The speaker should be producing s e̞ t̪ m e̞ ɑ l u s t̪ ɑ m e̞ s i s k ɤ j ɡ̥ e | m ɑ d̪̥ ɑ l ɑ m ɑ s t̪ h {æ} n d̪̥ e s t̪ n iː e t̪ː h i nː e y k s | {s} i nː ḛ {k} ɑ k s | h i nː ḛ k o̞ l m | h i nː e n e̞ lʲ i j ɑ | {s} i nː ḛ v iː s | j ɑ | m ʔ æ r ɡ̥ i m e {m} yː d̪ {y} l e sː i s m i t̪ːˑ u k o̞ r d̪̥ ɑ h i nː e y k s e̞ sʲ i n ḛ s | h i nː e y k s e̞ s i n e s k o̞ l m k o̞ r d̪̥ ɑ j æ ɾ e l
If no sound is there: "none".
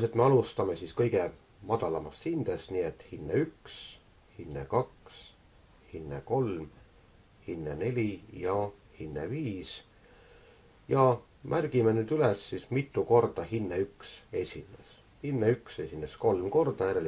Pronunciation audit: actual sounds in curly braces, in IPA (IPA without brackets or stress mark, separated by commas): i, h, k, h, n, y